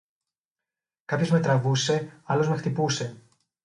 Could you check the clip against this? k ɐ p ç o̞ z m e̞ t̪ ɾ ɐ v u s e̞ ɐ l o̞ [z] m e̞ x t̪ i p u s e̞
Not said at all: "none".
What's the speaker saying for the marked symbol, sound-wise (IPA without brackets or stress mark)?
z